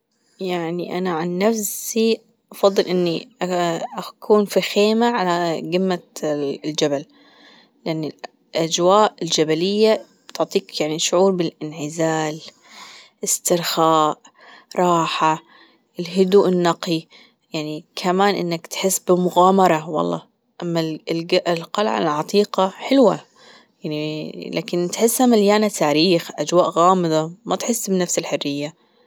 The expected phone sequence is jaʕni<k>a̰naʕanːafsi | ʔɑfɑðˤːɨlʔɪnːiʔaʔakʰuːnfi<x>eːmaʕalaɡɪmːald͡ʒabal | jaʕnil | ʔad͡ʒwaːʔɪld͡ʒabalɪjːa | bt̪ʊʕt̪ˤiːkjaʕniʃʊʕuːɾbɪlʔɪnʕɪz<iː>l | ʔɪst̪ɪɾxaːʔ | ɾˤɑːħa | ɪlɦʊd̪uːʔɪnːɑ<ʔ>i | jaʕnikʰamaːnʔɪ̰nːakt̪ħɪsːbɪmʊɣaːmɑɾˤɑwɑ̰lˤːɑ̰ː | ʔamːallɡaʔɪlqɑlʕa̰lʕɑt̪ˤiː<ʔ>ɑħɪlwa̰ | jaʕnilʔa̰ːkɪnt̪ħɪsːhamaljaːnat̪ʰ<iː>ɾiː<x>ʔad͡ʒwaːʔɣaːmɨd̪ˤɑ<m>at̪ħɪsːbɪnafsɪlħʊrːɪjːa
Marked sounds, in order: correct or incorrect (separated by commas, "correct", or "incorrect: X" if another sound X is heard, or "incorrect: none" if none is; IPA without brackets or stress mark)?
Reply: incorrect: ʔ, correct, incorrect: aː, incorrect: q, incorrect: q, incorrect: aː, correct, correct